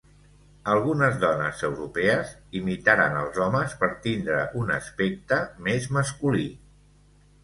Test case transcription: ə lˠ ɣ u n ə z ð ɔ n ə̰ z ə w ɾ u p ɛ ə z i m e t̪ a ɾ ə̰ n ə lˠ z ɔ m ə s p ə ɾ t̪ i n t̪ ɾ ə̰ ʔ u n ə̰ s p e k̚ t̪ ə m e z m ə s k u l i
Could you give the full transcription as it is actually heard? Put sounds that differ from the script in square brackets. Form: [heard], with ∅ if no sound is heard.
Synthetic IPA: ə lˠ ɣ u n ə z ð ɔ n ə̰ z ə w ɾ u p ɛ ə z i m [i] t̪ a ɾ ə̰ n ə lˠ z ɔ m ə s p ə ɾ t̪ i n [d̪] ɾ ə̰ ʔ u n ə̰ s p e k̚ t̪ ə m e z m ə s k u l i